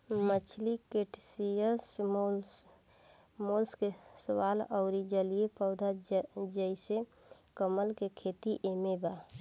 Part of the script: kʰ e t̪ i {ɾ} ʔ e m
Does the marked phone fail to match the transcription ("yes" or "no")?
yes